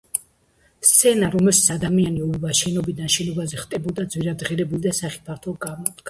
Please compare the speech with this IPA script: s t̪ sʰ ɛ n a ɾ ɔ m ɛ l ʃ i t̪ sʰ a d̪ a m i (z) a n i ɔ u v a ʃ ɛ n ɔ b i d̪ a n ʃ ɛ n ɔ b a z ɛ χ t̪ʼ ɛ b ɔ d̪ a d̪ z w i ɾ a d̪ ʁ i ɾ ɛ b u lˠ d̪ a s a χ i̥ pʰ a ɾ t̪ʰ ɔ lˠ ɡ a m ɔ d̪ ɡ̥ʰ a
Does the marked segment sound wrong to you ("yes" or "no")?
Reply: yes